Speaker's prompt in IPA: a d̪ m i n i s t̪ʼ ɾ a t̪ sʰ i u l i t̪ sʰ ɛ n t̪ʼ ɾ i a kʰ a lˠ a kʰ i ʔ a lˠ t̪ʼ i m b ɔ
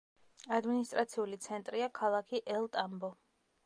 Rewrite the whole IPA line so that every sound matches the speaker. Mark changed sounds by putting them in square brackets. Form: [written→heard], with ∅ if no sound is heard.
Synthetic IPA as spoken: a d̪ m i n i s t̪ʼ ɾ a t̪ sʰ i u l i t̪ sʰ ɛ n t̪ʼ ɾ i a kʰ a lˠ a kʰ i ʔ [a→ɛ] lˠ t̪ʼ [i→a] m b ɔ